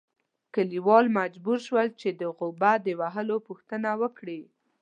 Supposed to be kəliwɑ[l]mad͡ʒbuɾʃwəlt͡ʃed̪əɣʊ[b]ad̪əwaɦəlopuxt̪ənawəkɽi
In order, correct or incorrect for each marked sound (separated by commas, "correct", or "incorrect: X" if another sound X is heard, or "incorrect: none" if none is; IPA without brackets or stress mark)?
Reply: correct, correct